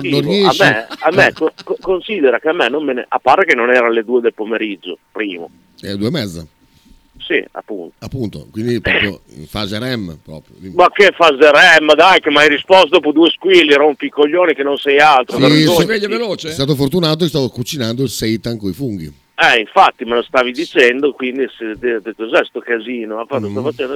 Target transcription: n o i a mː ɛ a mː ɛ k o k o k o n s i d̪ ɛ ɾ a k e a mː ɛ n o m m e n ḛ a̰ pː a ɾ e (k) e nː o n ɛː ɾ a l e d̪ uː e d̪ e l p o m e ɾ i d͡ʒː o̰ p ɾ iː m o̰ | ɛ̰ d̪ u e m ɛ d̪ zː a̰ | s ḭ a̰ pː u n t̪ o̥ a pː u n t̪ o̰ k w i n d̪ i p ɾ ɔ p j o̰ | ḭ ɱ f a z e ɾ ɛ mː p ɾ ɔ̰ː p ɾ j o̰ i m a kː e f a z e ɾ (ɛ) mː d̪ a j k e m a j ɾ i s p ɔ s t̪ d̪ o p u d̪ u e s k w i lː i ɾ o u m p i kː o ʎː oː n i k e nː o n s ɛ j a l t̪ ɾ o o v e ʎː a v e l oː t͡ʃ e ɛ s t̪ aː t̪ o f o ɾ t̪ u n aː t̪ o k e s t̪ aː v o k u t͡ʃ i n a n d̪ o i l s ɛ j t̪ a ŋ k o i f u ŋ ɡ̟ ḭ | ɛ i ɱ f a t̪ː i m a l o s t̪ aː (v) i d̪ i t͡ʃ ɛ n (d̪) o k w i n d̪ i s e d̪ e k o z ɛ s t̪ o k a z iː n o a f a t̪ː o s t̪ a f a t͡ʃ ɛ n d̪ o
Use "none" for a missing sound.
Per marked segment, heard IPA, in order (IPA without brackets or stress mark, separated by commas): k, ɛ, v, d̪